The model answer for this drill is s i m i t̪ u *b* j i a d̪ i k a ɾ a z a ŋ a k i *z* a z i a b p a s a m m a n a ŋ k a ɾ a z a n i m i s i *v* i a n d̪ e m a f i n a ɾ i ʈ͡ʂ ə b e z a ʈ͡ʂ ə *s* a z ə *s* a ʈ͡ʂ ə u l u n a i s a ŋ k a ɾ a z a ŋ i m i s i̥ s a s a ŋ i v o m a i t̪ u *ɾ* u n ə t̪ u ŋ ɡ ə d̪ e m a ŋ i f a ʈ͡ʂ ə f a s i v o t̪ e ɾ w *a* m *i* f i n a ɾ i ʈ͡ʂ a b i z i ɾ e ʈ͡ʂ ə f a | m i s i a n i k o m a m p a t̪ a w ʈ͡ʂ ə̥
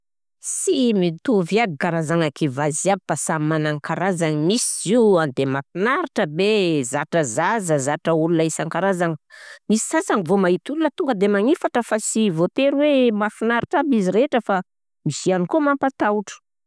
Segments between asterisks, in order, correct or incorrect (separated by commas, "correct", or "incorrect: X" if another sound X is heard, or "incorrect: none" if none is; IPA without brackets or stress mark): incorrect: v, incorrect: v, incorrect: z, incorrect: z, incorrect: z, incorrect: l, incorrect: e, incorrect: a